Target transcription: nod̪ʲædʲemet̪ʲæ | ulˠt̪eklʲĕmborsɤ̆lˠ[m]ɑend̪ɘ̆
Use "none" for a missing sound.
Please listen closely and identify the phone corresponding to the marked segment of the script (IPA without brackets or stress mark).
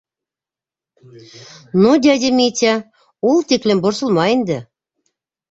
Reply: m